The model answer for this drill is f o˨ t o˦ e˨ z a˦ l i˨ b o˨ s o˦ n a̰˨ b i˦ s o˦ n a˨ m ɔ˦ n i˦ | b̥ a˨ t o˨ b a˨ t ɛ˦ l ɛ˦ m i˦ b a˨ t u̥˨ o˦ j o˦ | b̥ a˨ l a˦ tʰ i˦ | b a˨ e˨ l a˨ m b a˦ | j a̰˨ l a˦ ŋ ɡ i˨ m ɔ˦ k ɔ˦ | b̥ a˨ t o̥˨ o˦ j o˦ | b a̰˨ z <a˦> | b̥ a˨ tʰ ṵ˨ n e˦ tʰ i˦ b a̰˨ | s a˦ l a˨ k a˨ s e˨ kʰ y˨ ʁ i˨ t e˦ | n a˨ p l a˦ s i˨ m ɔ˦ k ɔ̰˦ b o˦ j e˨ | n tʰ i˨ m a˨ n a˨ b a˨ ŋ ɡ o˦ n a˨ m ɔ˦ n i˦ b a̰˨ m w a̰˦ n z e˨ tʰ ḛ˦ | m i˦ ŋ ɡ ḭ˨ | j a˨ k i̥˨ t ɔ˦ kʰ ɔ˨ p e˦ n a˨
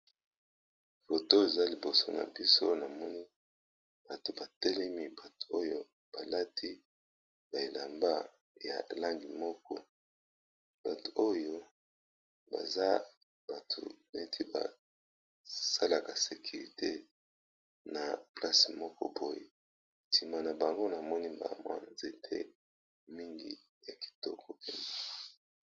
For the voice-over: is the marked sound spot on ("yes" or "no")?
yes